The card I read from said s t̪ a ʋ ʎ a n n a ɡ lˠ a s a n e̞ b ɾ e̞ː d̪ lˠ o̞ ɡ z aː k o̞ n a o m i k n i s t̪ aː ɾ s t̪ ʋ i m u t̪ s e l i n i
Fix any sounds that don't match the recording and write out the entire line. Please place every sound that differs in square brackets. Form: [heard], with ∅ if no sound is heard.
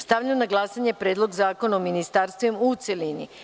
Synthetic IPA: s t̪ a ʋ ʎ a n n a ɡ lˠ a s a [ɲ] e̞ [p] ɾ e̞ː d̪ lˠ o̞ ɡ z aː k o̞ n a o m i [∅] n i s t̪ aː ɾ s t̪ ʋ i m u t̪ s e l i n i